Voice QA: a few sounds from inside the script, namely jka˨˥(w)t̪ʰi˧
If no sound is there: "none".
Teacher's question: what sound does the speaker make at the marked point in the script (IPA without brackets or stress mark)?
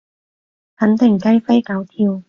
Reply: w